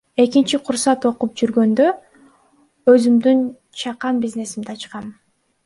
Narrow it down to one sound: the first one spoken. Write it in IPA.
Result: e̞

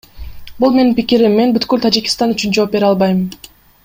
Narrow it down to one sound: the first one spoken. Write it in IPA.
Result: b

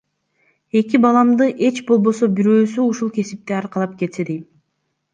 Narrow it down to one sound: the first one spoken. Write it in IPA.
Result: e̞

